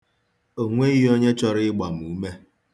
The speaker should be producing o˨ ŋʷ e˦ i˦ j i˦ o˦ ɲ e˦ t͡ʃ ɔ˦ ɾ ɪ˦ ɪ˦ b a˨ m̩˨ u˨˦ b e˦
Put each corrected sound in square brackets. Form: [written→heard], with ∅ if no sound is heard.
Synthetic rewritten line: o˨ ŋʷ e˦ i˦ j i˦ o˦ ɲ e˦ t͡ʃ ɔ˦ ɾ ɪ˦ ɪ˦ [b→ɡ͡b] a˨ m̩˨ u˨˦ [b→m] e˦